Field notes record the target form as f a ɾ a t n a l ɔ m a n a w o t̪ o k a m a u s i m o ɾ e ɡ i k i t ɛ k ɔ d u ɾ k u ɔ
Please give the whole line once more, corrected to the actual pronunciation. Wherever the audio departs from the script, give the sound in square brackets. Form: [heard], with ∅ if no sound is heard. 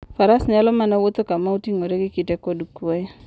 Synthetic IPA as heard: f a ɾ a [s] n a l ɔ m a n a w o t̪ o k a m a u [t] i [ŋ] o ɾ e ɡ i k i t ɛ k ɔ d u [∅] k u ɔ